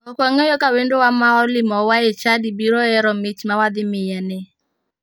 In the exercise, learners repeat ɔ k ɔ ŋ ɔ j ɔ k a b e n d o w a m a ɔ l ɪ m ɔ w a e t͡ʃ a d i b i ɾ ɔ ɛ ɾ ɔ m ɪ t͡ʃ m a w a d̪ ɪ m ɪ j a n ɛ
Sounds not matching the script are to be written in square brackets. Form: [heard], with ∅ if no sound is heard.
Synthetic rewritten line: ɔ k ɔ ŋ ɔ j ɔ k a [w] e n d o w a m a ɔ l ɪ m ɔ w a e t͡ʃ a d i b i ɾ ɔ ɛ ɾ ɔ m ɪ t͡ʃ m a w a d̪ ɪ m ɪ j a n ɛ